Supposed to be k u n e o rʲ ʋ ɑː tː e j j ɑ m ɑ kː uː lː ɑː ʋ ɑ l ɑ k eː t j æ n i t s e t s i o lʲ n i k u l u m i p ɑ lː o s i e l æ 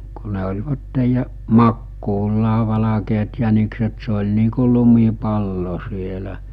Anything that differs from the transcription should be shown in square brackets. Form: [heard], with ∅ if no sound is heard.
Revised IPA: k u n e o [lʲ] ʋ [ɑ] tː e j j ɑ m ɑ kː uː lː ɑː ʋ ɑ l ɑ k eː t j æ n i [k] s e t s [e] o lʲ n [iː] k u l u m i p ɑ lː o s i e l æ

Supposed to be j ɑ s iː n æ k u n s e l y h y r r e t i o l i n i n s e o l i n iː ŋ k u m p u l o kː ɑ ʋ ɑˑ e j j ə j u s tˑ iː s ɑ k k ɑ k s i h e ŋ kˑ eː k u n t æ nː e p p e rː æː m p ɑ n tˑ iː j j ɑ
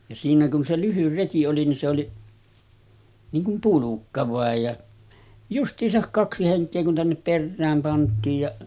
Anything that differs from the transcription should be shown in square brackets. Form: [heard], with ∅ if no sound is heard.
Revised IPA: j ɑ s iː n æ k u n s e l y h y r r e [k] i o l i n i n s e o l i n iː ŋ k u m p u l [u] kː ɑ ʋ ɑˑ e j j [ɑ] j u s tˑ iː s ɑ k k ɑ k s i h e ŋ kˑ eː k u n t æ nː e p p e rː æː m p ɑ n tˑ iː j j ɑ

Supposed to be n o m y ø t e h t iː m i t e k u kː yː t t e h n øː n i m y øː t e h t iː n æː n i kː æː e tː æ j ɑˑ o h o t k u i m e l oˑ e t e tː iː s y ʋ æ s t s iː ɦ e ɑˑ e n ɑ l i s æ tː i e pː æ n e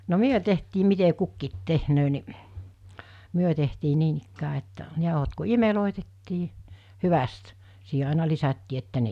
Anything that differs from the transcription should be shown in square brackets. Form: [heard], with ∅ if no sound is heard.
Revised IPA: n o m y ø t e h t iː m i t e k u kː [iː] t t e h n øː n i m y [ø] t e h t iː n [iː] n i kː æː e tː æ j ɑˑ o h o t k u i m e l oˑ e t e tː iː [h] y ʋ æ s t s iː ɦ e ɑˑ e n ɑ l i s æ tː [iː] e [tː] æ n e

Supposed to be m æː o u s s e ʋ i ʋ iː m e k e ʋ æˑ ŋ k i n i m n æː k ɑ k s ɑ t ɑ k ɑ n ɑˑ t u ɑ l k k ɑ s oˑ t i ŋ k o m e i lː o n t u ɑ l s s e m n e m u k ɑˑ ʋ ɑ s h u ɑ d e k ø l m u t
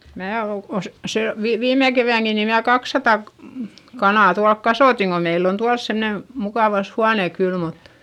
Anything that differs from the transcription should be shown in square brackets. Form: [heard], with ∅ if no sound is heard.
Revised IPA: m æː o [o] s s e ʋ i ʋ iː m e k e ʋ æˑ ŋ k i n i m n æː k ɑ k [sː] ɑ t ɑ k ɑ n ɑˑ t u ɑ l k k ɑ s oˑ t i ŋ k o m e i lː o n t u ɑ l s s e m n e m u k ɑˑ ʋ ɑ s h u ɑ [n] e k [y] l m u t

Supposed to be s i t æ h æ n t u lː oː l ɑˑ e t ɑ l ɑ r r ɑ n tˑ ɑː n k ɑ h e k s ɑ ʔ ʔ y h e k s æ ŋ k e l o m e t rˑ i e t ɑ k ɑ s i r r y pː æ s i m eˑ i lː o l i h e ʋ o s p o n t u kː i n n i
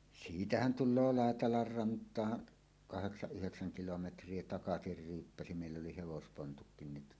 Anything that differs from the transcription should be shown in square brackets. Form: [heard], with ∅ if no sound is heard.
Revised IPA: s [iː] t æ h æ n t u lː oː l ɑˑ e t ɑ l ɑ r r ɑ n tˑ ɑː n k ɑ h e k s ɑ ʔ ʔ y h e k s æ ŋ k [i] l o m e t rˑ i e t ɑ k ɑ s i r r [yː] pː æ s i m eˑ i lː o l i h e ʋ o s p o n t u kː i n n i

